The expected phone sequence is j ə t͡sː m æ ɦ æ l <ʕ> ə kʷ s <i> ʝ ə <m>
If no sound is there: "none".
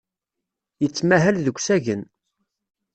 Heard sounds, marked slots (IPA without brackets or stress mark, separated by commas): ð, æ, n